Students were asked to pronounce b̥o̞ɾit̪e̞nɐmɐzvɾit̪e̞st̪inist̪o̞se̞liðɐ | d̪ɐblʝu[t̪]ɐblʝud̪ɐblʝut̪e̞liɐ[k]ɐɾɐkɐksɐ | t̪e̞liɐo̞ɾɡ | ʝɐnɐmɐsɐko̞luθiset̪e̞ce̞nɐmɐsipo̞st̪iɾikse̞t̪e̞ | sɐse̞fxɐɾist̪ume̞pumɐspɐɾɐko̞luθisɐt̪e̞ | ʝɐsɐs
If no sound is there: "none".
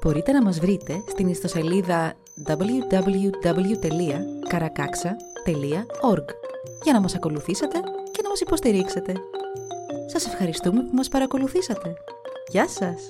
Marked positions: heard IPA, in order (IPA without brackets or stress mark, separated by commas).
d̪, k